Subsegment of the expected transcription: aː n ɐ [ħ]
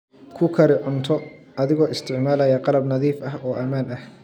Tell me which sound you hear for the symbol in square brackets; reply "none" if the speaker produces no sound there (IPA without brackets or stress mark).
h